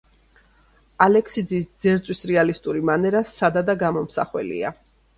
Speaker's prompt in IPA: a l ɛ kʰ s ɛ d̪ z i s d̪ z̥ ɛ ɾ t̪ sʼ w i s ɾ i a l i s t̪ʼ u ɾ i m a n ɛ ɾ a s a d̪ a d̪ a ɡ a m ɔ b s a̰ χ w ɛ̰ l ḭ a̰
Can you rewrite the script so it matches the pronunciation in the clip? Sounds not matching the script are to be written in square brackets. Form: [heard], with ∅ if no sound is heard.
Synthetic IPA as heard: a l ɛ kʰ s [i] d̪ z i s d̪ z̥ ɛ ɾ t̪ sʼ w i s ɾ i a l i s t̪ʼ u ɾ i m a n ɛ ɾ a s a d̪ a d̪ a ɡ a m ɔ [m] s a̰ χ w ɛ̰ l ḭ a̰